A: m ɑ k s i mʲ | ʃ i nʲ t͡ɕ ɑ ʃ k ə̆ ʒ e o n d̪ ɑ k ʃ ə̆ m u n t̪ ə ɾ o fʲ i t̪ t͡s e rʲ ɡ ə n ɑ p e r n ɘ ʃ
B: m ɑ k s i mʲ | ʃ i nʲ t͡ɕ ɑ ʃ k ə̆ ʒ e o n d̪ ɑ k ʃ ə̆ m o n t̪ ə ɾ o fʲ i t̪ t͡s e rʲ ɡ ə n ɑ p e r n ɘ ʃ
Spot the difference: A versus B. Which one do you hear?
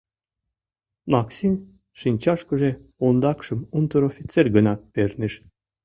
A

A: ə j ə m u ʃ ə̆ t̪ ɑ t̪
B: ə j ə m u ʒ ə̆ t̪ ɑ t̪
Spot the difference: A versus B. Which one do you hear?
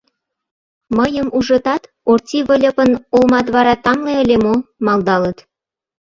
B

